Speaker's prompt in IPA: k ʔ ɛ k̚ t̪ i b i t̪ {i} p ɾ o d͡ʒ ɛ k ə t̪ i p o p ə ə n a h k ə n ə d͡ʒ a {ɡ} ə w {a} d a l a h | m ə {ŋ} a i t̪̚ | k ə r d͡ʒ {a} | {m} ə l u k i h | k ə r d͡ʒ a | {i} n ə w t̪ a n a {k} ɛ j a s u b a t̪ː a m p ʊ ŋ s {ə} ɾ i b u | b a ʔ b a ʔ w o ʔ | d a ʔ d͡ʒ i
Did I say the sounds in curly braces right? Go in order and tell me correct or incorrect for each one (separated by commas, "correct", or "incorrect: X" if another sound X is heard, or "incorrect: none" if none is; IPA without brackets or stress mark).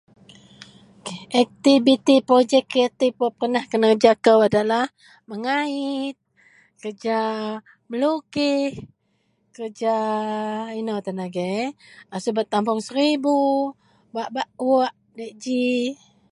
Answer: correct, incorrect: k, correct, correct, correct, correct, correct, incorrect: ɡ, correct